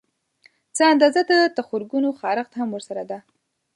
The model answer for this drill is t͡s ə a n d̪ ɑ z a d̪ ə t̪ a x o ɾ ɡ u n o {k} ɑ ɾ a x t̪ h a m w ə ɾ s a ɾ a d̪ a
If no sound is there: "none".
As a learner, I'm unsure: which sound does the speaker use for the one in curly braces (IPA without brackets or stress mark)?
x